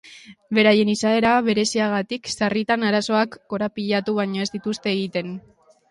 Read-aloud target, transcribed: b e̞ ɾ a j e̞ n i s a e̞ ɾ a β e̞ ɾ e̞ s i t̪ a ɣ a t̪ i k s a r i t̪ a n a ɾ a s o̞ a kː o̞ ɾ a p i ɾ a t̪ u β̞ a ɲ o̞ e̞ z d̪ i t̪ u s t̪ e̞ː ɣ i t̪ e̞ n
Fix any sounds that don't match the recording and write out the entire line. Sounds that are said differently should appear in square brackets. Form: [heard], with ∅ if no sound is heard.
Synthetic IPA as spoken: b e̞ ɾ a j e̞ n i s a e̞ ɾ a β e̞ ɾ e̞ s i [∅] a ɣ a t̪ i k s a r i t̪ a n a ɾ a s o̞ a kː o̞ ɾ a p i [ʎ] a t̪ u β̞ a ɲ o̞ e̞ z d̪ i t̪ u s t̪ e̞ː ɣ i t̪ e̞ n